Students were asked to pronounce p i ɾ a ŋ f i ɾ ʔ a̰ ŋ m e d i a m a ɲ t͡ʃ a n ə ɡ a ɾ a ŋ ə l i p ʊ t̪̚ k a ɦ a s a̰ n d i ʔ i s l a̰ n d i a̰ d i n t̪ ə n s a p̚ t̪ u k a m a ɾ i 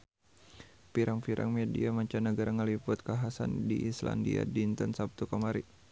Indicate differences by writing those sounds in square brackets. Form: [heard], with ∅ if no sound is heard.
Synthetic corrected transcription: p i ɾ a ŋ f i ɾ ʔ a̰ ŋ m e d i a m a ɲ t͡ʃ a n ə ɡ a ɾ a ŋ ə l i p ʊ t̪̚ k a ɦ a s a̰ n d i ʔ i s l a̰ n d i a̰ d i n t̪ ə n s a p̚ t̪ u k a m a ɾ i